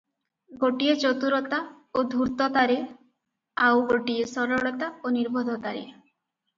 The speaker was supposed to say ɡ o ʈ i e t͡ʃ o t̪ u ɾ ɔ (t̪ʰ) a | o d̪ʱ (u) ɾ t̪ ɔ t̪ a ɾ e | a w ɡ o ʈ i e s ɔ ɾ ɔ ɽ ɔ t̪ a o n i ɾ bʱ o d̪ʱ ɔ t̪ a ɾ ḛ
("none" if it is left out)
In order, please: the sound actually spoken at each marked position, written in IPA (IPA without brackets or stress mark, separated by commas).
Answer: t̪, u